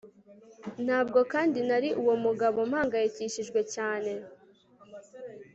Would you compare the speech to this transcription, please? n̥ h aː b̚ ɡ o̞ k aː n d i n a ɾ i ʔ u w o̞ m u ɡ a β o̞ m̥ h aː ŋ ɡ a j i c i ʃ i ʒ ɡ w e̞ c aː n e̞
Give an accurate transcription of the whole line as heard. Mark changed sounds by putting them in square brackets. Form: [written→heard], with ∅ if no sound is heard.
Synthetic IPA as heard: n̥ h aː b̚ ɡ o̞ k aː n d i n a ɾ i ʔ u w o̞ m u ɡ a β o̞ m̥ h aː ŋ ɡ a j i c i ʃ i ʒ ɡ w e̞ c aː n e̞